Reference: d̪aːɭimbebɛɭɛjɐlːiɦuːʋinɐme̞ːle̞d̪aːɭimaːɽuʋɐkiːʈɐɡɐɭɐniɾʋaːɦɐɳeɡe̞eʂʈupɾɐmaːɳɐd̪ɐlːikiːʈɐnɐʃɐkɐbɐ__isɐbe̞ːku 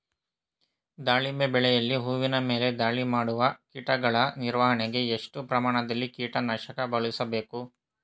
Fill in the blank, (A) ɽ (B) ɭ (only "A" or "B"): B